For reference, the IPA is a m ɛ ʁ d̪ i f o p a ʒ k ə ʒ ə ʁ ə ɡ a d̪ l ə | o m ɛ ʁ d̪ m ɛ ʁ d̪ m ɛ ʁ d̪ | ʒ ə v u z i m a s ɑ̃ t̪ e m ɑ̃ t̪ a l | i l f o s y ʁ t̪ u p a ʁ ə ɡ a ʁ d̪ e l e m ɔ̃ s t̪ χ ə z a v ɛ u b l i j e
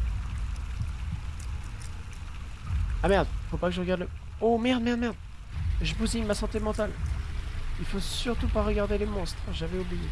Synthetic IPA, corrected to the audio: a m ɛ ʁ d̪ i f o p a k ə ʒ ə ʁ ə ɡ a d̪ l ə | o m ɛ ʁ d̪ m ɛ ʁ d̪ m ɛ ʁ d̪ | ʒ ə b u z i m a s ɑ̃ t̪ e m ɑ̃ t̪ a l | i l f o s y ʁ t̪ u p a ʁ ə ɡ a ʁ d̪ e l e m ɔ̃ s t̪ χ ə ʒ a v ɛ u b l i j e